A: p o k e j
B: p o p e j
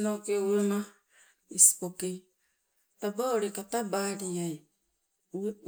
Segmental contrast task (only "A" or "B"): A